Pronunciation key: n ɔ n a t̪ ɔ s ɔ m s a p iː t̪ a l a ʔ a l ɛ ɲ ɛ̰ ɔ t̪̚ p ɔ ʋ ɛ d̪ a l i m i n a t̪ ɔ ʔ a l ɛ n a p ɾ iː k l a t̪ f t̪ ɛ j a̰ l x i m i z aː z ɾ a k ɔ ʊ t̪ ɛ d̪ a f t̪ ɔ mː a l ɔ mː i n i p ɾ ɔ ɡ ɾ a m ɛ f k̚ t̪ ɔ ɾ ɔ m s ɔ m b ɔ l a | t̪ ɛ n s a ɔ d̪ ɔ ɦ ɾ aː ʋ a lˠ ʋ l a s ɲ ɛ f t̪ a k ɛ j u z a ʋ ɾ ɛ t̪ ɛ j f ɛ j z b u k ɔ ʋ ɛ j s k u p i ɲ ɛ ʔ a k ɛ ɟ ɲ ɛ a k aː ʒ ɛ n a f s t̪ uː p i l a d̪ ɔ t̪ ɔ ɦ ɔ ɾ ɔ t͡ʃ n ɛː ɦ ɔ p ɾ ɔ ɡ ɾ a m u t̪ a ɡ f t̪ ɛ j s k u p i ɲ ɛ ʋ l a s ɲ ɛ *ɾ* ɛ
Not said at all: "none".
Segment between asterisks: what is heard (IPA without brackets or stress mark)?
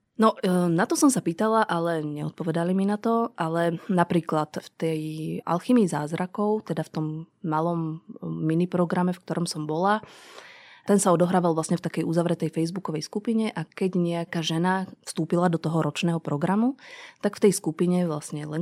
l